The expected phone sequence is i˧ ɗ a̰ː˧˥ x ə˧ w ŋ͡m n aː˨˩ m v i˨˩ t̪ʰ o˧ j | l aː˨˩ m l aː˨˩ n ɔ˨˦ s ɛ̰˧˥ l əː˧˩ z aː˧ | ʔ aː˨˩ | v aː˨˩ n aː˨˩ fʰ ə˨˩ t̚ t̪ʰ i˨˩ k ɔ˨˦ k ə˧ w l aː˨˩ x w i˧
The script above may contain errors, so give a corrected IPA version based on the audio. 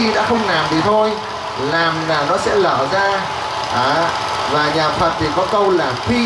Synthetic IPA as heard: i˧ ɗ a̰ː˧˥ x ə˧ w ŋ͡m n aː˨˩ m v i˨˩ t̪ʰ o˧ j | l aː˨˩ m l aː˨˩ n ɔ˨˦ s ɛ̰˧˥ l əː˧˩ z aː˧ | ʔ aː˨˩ | v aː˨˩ ɲ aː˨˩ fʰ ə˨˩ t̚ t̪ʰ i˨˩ k ɔ˨˦ k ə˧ w l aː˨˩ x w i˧